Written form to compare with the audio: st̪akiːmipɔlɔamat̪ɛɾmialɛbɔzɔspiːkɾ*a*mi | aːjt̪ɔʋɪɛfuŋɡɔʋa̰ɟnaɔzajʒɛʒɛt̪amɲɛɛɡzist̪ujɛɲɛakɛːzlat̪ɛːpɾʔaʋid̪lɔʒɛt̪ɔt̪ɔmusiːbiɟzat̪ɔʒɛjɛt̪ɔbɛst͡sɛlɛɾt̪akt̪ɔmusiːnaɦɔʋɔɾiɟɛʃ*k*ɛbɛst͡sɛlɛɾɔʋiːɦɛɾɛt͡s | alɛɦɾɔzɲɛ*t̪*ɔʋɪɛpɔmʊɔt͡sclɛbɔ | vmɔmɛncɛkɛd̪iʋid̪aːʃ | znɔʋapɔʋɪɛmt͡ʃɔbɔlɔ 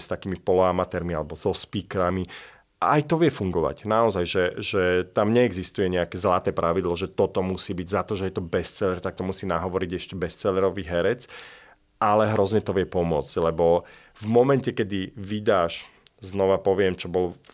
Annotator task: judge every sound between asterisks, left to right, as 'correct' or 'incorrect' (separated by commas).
correct, incorrect, correct